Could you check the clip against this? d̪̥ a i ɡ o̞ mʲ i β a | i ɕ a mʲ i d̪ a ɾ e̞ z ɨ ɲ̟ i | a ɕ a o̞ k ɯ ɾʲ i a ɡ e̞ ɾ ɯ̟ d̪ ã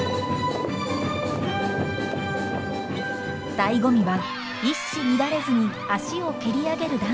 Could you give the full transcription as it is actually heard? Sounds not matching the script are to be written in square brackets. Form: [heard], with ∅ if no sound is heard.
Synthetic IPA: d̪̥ a i ɡ o̞ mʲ i β a | i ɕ [i] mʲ i d̪ a ɾ e̞ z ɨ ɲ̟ i | a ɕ [i] o̞ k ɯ ɾʲ i a ɡ e̞ ɾ ɯ̟ d̪ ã

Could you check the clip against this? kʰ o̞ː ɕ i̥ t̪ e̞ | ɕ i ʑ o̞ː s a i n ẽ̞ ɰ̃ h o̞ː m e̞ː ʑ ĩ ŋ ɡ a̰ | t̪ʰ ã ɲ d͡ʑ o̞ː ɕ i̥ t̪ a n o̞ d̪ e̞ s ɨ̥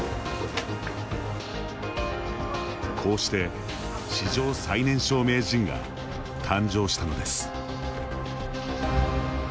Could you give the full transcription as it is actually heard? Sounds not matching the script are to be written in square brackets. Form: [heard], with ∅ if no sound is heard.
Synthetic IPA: kʰ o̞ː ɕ i̥ t̪ e̞ | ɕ i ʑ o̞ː s a i n ẽ̞ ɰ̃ [ɕ] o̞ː m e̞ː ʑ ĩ ŋ ɡ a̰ | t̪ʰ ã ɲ d͡ʑ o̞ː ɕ i̥ t̪ a n o̞ d̪ e̞ s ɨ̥

